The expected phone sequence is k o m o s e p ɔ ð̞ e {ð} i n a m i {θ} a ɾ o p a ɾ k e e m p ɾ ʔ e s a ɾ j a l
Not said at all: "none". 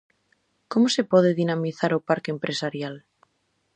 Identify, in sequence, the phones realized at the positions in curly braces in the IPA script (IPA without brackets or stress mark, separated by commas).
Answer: ð, θ